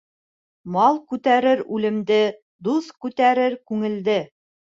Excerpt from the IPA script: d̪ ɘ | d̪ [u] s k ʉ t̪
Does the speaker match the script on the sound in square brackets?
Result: yes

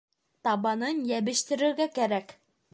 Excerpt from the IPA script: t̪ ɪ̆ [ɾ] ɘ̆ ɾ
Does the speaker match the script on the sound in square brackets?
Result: yes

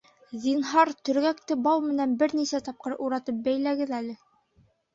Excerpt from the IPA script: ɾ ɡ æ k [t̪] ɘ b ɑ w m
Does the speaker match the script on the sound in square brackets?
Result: yes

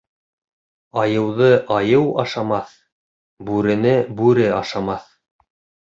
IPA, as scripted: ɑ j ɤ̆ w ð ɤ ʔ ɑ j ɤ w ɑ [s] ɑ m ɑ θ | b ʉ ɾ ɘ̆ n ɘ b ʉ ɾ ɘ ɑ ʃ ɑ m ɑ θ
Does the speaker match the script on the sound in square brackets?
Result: no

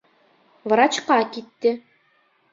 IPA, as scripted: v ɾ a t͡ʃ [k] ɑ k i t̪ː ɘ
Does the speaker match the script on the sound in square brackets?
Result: no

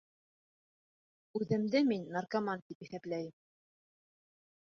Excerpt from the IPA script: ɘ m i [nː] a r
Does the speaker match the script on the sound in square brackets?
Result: yes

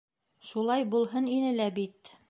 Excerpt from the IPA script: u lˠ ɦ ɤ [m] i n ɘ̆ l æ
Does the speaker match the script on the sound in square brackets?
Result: no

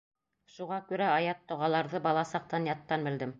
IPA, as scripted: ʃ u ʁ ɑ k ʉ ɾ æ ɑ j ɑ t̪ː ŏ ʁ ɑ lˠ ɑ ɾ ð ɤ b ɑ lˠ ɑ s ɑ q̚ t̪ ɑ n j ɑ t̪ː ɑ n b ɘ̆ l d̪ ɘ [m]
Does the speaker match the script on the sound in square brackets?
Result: yes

